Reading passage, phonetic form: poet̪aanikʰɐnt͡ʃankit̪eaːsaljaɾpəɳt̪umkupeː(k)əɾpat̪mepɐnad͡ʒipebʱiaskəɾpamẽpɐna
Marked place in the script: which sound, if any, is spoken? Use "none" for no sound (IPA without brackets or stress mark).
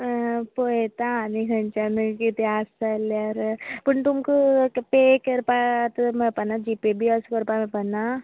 k